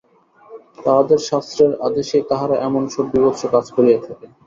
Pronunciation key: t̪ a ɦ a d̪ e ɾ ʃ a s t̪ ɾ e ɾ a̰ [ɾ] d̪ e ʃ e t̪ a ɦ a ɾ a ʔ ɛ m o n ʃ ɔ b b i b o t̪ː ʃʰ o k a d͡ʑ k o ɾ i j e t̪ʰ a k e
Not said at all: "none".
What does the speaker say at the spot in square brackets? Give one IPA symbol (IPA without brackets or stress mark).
none